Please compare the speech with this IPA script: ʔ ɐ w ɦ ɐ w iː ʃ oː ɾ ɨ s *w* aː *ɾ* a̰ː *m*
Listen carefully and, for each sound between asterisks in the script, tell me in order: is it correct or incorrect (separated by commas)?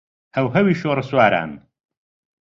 correct, correct, incorrect